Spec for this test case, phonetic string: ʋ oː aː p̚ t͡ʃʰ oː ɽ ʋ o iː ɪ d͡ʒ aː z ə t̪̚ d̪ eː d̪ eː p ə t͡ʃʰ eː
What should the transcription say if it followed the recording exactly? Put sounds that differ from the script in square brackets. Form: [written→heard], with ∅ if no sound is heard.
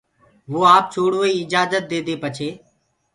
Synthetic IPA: ʋ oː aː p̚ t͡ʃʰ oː ɽ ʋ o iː ɪ d͡ʒ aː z ə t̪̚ d̪ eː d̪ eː p ə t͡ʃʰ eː